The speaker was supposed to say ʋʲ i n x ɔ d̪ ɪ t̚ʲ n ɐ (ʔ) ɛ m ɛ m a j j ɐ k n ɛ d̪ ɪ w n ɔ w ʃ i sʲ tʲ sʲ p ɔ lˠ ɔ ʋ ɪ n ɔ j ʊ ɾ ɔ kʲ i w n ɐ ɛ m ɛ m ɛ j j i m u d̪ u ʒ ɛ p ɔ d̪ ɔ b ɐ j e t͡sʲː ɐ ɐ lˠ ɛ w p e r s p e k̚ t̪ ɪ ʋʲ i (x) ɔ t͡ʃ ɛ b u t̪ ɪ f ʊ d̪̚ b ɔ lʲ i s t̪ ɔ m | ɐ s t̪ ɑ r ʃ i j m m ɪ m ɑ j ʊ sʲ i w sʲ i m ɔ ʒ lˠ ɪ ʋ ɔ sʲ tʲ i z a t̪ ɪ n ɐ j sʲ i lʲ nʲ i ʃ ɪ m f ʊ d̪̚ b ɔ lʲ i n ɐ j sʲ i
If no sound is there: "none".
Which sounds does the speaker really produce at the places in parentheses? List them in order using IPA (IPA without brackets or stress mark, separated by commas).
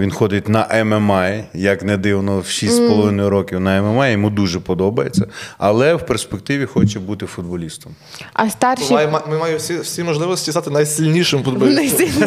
ʔ, x